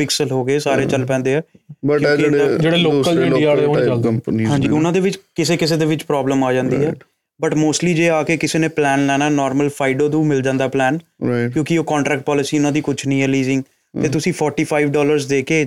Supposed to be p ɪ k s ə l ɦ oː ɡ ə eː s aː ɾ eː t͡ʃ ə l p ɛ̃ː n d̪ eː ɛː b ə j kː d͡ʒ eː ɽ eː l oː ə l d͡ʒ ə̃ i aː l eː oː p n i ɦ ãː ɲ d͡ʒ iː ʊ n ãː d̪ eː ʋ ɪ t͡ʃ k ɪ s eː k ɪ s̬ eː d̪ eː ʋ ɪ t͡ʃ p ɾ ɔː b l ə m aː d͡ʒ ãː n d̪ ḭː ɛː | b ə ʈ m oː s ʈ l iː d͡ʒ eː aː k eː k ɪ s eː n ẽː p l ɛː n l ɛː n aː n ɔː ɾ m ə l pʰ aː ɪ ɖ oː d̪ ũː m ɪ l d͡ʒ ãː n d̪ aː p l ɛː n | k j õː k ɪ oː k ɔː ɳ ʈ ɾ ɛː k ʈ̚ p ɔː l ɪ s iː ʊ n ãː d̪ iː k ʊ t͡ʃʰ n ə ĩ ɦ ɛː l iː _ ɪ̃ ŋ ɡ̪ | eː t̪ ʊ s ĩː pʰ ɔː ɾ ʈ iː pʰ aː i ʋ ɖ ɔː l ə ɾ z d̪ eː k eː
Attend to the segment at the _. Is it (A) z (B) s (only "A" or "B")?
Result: A